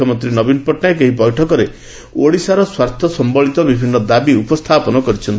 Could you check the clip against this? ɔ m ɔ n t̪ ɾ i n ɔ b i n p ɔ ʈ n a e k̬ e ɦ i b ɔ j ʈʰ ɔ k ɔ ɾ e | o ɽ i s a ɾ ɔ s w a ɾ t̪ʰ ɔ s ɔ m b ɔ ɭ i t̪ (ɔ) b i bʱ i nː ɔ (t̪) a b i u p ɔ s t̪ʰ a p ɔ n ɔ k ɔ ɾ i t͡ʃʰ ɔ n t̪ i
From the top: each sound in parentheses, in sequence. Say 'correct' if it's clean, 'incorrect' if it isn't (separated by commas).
correct, incorrect